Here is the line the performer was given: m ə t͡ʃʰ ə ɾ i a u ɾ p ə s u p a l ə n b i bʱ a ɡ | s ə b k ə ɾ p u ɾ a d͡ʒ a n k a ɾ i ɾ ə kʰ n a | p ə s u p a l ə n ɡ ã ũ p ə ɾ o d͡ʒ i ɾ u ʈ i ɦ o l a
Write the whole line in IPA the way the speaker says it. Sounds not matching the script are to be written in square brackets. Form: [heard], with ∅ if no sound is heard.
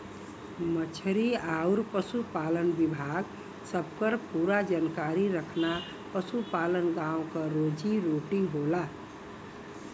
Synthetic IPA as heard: m ə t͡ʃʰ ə ɾ i a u ɾ p ə s u p a l ə n b i bʱ a ɡ | s ə b k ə ɾ p u ɾ a d͡ʒ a n k a ɾ i ɾ ə kʰ n a | p ə s u p a l ə n ɡ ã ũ [k] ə ɾ o d͡ʒ i ɾ [o] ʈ i ɦ o l a